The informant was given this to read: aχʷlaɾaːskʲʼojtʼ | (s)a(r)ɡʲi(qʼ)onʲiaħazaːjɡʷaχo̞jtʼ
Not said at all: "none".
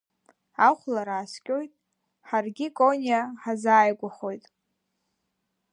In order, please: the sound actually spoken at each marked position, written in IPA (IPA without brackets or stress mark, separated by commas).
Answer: ħ, r, kʼ